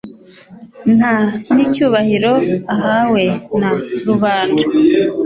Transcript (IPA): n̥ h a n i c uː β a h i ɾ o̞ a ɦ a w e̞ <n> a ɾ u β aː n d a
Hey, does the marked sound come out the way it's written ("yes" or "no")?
yes